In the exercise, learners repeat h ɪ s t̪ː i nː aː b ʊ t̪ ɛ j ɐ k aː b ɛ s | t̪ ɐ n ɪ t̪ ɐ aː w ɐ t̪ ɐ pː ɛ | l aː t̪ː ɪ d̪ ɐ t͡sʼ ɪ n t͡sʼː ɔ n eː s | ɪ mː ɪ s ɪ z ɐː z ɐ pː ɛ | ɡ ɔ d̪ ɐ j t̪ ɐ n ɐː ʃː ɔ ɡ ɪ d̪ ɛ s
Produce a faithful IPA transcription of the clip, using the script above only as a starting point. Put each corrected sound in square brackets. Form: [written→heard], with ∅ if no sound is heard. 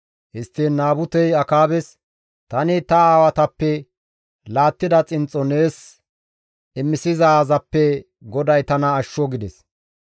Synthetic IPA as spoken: h ɪ s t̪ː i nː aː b ʊ t̪ ɛ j ɐ k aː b ɛ s | t̪ ɐ n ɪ t̪ ɐ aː w ɐ t̪ ɐ pː ɛ | l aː t̪ː ɪ d̪ ɐ t͡sʼ ɪ n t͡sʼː ɔ n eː s | ɪ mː ɪ s ɪ z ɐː z ɐ pː ɛ | ɡ ɔ d̪ ɐ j t̪ ɐ n ɐː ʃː ɔ ɡ ɪ d̪ ɛ s

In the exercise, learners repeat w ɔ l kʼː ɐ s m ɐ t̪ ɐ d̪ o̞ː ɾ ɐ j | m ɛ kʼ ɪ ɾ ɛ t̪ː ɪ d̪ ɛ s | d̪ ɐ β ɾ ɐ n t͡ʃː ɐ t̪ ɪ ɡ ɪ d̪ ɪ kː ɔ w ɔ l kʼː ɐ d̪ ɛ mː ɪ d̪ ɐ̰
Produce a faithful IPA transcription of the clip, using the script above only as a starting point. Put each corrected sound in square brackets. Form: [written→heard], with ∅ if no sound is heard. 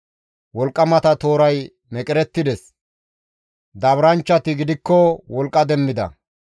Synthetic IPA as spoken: w ɔ l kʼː ɐ [s→∅] m ɐ t̪ ɐ [d̪→t̪] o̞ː ɾ ɐ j | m ɛ kʼ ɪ ɾ ɛ t̪ː ɪ d̪ ɛ s | d̪ ɐ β ɾ ɐ n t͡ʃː ɐ t̪ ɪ ɡ ɪ d̪ ɪ kː ɔ w ɔ l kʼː ɐ d̪ ɛ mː ɪ d̪ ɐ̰

